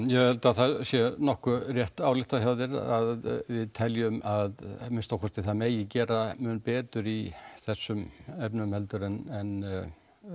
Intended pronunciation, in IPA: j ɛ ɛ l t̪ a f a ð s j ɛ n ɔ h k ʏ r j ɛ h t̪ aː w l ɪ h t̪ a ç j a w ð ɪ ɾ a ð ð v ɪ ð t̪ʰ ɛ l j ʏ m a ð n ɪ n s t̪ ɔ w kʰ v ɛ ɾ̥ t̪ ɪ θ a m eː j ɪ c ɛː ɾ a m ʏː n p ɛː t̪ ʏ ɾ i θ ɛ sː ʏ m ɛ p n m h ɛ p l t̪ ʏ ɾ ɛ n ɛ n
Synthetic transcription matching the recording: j ɛ ɛ l t̪ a θ a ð s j ɛ n ɔ h k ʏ r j ɛ h t̪ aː w l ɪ h t̪ a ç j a w ð ɪ ɾ a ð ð v ɪ ð t̪ʰ ɛ l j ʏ m a ð m ɪ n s t̪ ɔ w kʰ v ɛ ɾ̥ t̪ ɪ θ a m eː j ɪ c ɛː ɾ a m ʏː n p ɛː t̪ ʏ ɾ i θ ɛ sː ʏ m ɛ p n m h ɛ l t̪ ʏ ɾ ɛ n ɛ n